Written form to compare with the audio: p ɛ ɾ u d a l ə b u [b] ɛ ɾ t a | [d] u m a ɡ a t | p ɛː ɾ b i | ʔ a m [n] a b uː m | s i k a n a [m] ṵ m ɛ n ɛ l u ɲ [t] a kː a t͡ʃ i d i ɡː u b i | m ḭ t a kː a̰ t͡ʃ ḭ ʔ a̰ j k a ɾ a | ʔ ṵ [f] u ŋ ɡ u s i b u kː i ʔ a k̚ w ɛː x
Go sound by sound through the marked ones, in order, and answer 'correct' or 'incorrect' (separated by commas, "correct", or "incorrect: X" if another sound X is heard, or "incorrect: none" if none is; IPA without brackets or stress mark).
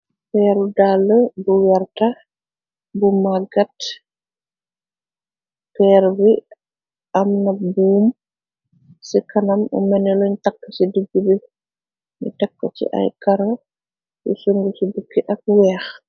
incorrect: w, incorrect: b, correct, correct, correct, incorrect: s